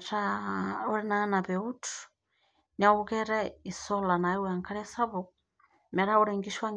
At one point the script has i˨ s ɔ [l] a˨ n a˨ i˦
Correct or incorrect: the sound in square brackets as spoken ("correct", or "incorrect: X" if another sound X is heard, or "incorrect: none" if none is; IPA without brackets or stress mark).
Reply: correct